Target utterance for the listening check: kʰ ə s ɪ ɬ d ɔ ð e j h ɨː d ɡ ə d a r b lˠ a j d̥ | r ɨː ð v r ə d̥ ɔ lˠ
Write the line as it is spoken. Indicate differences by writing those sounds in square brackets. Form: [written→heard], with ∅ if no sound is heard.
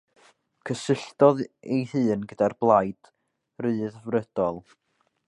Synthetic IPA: kʰ ə s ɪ ɬ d ɔ ð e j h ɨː [d→n] ɡ ə d a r b lˠ a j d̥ | r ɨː ð v r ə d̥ ɔ lˠ